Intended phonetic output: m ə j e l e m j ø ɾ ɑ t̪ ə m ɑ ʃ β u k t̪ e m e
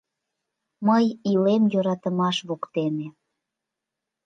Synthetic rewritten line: m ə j i l e m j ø ɾ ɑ t̪ ə m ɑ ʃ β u k t̪ e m e